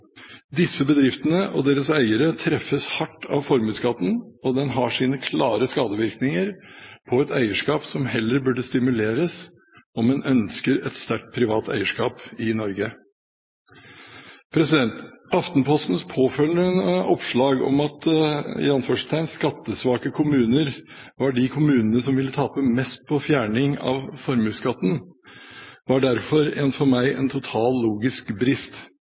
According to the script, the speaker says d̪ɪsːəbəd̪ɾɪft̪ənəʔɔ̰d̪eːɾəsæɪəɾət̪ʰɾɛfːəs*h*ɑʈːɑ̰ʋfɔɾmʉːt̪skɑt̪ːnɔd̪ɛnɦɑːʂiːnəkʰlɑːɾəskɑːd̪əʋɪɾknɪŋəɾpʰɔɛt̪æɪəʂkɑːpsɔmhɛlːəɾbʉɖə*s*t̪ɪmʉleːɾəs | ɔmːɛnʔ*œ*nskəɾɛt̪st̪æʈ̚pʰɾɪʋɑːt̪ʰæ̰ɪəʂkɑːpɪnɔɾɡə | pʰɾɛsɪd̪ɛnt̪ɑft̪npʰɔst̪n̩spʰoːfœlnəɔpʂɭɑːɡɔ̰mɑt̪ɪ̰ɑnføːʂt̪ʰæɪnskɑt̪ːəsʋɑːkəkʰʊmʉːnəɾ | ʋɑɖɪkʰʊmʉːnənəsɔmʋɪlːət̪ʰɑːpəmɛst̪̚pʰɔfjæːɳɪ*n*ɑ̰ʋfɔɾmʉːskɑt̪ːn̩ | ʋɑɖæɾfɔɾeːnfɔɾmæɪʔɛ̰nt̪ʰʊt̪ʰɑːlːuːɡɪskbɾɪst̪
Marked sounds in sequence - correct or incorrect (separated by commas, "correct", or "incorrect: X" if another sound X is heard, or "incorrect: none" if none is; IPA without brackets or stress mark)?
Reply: correct, correct, correct, incorrect: ŋ